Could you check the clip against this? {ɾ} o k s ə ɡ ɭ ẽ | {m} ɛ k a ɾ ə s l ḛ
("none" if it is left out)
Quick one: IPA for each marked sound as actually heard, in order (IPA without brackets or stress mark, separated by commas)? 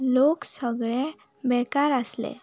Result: l, b